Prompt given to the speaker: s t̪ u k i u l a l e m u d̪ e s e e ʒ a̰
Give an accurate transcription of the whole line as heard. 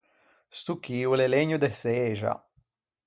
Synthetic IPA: s t̪ u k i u l e l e ɲ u d̪ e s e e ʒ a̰